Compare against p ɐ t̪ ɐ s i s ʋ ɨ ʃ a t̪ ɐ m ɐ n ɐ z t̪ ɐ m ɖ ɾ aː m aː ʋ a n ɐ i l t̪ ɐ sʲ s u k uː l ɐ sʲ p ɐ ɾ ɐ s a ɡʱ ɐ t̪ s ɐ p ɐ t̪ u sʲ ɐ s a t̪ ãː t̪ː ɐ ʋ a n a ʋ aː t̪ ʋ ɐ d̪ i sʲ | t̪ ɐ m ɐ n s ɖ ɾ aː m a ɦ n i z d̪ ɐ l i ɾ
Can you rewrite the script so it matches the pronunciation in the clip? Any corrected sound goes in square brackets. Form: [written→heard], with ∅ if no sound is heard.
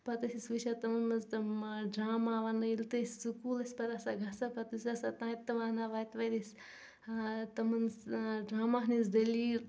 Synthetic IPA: p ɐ t̪ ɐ s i s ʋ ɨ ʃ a t̪ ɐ m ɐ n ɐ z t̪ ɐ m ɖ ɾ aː m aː ʋ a n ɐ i l t̪ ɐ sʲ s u k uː l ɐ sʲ p ɐ ɾ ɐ s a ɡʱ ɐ [t̪→∅] s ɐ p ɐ t̪ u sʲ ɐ s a t̪ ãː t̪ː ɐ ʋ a n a ʋ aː t̪ ʋ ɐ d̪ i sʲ | t̪ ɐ m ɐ n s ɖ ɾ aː m a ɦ n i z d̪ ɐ l i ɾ